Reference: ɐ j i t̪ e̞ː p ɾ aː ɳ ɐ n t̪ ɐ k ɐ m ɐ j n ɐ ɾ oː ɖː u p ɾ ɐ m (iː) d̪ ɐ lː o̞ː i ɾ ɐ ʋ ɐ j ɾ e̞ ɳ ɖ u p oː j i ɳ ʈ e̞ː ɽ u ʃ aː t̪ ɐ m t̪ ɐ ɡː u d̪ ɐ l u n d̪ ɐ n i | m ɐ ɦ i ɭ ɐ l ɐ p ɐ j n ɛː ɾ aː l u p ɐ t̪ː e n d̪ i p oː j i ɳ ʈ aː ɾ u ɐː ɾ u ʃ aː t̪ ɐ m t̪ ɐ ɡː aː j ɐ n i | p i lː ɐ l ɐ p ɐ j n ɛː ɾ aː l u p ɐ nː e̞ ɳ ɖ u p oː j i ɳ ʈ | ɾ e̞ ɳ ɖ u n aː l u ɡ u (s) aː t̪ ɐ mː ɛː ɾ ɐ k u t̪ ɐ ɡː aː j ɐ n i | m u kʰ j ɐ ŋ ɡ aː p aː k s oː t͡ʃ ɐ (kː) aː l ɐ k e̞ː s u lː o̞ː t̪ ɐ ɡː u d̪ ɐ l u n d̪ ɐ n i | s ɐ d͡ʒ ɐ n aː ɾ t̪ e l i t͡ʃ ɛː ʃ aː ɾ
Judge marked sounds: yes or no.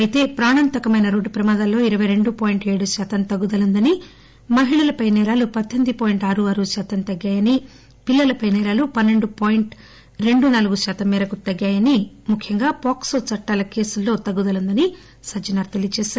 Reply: no, no, no

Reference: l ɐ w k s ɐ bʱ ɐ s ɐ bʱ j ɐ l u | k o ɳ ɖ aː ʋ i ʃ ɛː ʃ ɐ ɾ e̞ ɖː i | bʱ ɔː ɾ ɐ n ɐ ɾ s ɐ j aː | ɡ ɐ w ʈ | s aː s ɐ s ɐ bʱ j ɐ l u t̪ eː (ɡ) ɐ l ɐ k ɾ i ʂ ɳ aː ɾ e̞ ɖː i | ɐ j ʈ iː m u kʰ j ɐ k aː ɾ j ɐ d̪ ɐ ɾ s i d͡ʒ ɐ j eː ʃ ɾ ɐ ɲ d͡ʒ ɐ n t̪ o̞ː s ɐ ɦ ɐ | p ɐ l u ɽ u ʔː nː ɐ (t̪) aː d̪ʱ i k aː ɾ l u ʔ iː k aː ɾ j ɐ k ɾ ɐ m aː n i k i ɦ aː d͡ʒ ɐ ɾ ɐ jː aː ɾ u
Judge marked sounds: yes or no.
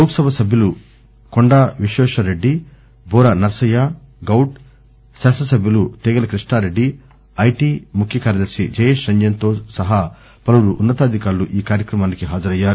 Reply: yes, yes

